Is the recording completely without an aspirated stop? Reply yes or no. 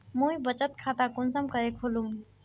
no